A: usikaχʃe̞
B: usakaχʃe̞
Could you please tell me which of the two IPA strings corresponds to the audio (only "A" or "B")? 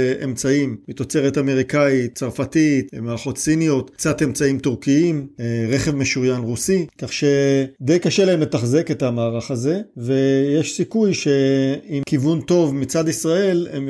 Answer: A